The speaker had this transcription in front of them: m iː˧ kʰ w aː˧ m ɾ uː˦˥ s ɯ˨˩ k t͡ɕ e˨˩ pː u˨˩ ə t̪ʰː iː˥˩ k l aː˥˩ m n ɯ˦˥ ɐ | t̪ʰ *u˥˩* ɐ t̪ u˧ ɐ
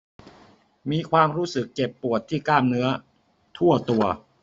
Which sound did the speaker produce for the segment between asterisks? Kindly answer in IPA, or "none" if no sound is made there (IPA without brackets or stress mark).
u˥˩